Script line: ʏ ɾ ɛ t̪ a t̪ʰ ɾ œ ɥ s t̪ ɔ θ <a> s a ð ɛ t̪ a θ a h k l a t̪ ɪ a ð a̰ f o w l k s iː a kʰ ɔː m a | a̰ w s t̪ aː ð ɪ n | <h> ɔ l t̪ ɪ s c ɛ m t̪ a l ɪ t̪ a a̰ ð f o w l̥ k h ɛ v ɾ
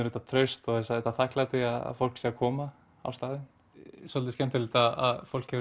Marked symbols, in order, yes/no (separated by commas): no, no